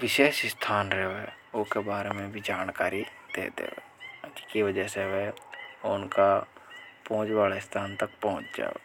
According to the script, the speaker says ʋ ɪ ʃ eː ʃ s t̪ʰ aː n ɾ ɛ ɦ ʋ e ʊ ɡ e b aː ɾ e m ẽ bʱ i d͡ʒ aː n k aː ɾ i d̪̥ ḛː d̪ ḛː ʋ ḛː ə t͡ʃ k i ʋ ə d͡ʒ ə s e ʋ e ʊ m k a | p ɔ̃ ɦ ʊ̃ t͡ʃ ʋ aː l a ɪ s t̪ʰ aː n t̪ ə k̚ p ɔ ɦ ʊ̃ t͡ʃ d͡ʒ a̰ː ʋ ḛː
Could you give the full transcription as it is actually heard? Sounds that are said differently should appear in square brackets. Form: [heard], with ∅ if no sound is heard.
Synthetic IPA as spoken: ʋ ɪ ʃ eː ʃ s t̪ʰ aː n ɾ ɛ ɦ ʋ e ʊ [k] e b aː ɾ e m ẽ bʱ i d͡ʒ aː n k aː ɾ i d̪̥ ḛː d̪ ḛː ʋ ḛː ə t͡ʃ k i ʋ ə d͡ʒ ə s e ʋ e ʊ [n] k a | p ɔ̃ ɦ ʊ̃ t͡ʃ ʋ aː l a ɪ s t̪ʰ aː n t̪ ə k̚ p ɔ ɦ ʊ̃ t͡ʃ d͡ʒ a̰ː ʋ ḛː

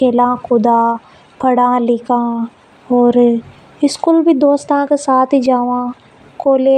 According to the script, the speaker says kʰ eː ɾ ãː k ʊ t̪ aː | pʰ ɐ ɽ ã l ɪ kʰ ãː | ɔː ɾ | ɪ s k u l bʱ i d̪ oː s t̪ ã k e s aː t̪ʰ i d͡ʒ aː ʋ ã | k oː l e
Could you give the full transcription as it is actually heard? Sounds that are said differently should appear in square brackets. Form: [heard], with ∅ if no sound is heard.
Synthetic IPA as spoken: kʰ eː [l] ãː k ʊ [d̪] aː | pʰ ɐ ɽ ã l ɪ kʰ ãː | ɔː ɾ | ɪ s k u l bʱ i d̪ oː s t̪ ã k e s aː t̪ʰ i d͡ʒ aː ʋ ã | k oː l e

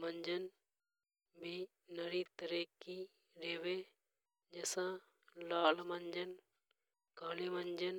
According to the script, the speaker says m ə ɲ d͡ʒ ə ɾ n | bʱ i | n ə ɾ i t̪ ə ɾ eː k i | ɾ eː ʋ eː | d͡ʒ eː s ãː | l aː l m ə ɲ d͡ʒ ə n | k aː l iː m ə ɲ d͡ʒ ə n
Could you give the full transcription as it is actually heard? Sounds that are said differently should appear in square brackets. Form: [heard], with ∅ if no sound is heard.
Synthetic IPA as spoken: m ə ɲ d͡ʒ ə [∅] n | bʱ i | n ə ɾ i t̪ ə ɾ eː k i | ɾ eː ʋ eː | d͡ʒ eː s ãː | l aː l m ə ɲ d͡ʒ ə n | k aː l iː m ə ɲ d͡ʒ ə n

